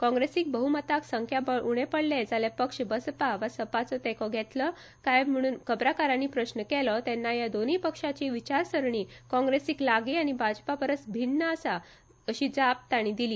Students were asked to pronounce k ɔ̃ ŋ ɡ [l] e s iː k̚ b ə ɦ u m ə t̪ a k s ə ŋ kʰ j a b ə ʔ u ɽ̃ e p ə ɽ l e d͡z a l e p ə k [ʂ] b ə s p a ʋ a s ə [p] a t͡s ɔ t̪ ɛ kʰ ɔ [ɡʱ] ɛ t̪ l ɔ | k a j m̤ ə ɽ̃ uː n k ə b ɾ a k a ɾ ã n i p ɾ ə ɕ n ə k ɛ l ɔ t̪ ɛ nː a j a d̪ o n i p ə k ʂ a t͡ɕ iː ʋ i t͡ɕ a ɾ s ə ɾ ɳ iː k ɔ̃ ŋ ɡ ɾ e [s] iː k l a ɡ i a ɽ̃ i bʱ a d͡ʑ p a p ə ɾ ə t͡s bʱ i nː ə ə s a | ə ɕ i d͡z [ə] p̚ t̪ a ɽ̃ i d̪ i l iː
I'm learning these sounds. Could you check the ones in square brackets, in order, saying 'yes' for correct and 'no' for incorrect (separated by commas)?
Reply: no, yes, yes, yes, yes, no